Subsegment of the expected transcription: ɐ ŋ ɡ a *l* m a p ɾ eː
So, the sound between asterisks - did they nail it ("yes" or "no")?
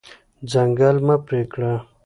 yes